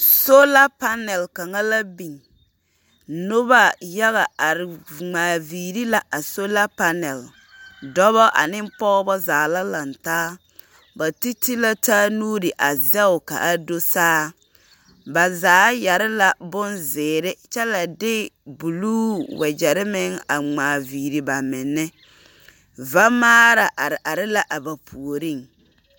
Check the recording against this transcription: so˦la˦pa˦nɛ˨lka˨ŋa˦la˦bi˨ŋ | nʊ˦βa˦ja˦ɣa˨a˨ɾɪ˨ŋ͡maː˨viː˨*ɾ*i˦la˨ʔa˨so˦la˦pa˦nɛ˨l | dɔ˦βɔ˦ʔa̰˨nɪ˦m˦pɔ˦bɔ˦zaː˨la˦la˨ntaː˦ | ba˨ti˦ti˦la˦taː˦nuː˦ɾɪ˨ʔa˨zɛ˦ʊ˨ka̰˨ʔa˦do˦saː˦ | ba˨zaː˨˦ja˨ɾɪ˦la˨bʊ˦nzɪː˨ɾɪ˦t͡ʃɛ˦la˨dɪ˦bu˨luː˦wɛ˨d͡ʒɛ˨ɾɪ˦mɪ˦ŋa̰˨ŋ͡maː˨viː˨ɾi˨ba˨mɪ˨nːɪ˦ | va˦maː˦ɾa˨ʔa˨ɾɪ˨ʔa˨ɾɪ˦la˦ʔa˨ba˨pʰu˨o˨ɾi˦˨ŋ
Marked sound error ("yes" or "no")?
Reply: no